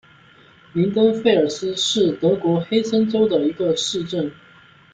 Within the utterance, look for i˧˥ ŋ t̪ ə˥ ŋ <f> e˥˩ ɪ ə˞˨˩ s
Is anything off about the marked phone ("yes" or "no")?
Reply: no